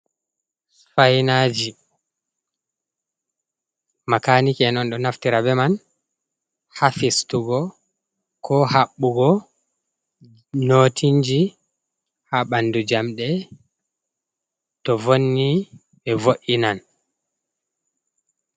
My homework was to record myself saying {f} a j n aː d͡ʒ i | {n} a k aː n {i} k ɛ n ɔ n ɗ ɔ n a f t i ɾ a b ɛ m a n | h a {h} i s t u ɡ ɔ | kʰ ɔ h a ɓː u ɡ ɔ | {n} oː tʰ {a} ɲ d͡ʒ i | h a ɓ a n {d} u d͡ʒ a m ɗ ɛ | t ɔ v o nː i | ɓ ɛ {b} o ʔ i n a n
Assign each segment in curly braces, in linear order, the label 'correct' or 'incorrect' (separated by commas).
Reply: correct, incorrect, correct, incorrect, correct, incorrect, correct, incorrect